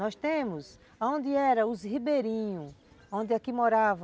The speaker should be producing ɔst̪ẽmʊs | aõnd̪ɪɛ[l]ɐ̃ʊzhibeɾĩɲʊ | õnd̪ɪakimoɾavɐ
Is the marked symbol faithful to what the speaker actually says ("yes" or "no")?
no